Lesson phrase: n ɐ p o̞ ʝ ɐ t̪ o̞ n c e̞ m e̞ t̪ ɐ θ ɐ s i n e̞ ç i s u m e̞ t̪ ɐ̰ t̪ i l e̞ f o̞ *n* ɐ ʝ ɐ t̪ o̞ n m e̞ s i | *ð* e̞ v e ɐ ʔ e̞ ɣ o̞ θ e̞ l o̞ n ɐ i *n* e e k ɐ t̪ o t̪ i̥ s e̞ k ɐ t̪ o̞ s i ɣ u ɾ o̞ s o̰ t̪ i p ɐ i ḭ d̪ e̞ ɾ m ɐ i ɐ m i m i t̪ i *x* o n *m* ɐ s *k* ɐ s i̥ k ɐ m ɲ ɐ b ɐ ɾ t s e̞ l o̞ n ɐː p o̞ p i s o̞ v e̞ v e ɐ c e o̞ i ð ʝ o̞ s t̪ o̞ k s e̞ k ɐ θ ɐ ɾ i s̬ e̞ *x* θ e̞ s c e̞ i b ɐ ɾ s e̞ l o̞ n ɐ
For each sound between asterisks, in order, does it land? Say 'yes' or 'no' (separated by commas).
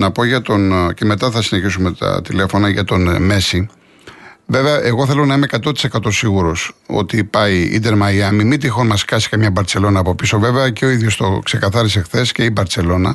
yes, no, no, yes, yes, yes, yes